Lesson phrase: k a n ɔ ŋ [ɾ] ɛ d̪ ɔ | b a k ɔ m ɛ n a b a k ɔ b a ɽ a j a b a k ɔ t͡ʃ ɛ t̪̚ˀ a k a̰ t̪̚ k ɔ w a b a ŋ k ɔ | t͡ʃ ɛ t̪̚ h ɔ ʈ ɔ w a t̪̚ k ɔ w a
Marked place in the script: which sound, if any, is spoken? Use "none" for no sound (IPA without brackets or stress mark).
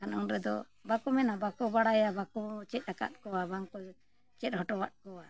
ɾ